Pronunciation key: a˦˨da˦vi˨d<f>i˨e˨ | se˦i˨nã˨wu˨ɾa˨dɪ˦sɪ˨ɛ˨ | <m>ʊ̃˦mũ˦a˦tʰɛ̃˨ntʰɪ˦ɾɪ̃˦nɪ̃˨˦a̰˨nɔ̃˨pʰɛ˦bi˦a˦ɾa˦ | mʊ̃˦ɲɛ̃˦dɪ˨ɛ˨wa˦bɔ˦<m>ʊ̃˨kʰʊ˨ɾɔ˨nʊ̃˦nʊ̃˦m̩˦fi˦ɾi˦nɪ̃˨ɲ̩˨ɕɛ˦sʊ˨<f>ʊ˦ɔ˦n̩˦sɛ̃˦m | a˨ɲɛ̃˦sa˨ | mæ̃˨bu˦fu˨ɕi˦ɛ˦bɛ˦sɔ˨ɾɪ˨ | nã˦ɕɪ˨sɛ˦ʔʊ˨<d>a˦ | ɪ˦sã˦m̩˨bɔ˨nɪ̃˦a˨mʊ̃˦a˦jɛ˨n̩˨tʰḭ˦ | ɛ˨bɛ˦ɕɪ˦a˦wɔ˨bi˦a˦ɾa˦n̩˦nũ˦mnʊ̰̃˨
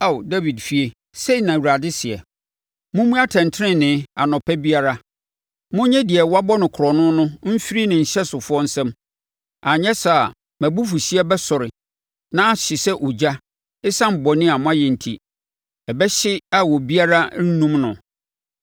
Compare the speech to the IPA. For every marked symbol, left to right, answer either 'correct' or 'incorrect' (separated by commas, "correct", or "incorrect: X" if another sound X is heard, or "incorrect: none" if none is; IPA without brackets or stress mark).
correct, correct, incorrect: n, correct, incorrect: d͡ʑ